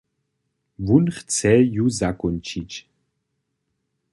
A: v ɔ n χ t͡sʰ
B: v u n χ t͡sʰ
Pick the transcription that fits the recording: B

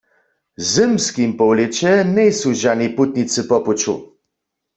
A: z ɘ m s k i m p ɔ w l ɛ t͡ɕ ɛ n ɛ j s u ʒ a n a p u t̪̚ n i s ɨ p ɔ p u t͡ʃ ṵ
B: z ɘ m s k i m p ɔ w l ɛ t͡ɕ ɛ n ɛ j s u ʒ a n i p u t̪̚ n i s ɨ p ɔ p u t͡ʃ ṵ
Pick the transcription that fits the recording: B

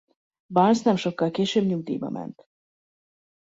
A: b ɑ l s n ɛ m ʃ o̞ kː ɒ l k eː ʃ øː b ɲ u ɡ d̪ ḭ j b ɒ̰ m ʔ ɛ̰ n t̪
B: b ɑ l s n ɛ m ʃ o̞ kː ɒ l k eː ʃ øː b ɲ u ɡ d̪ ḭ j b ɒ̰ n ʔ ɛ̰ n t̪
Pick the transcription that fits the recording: A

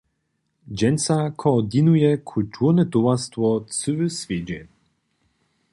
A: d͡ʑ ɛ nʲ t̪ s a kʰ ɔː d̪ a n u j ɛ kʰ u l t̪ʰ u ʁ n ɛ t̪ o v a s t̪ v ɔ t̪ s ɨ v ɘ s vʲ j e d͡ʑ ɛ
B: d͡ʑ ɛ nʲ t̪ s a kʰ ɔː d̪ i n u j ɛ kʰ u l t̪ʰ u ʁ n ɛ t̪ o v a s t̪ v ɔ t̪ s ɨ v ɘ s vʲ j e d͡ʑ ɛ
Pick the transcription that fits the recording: B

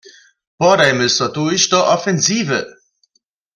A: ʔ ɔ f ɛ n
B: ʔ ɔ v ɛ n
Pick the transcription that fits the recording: A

